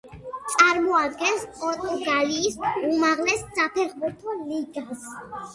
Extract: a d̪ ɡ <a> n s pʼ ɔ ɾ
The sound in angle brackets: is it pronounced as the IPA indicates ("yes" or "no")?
no